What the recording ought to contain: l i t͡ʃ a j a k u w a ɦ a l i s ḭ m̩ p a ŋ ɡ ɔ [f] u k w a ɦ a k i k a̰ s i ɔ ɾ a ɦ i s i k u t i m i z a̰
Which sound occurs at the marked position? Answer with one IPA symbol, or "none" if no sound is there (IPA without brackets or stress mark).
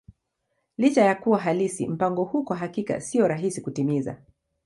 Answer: h